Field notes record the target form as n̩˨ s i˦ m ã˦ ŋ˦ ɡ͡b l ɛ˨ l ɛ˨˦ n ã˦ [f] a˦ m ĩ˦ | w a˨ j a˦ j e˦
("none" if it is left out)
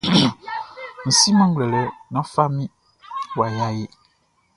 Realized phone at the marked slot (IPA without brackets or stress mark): f